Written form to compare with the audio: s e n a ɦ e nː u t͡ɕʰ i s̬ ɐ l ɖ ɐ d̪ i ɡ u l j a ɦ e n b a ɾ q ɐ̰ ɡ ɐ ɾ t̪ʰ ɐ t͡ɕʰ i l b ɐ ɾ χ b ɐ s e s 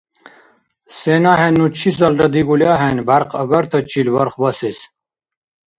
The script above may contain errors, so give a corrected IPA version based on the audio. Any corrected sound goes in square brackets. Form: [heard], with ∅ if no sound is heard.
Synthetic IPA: s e n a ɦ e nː u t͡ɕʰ i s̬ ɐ l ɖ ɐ d̪ i ɡ u l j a ɦ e n b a ɾ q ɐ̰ ɡ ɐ ɾ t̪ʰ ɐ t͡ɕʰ i l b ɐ ɾ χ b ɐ s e s